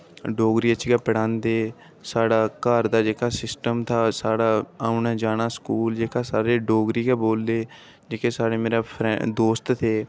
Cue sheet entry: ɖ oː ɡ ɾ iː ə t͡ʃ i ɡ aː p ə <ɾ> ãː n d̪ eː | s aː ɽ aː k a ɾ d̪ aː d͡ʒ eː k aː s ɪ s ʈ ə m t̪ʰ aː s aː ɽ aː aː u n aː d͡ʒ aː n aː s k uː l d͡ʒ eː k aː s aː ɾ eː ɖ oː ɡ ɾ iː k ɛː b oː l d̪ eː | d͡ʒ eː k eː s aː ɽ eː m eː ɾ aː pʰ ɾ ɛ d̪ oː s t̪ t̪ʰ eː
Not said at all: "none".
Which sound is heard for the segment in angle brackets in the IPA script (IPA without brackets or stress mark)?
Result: ɽ